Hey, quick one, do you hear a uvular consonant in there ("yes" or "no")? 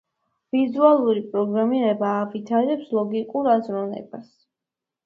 no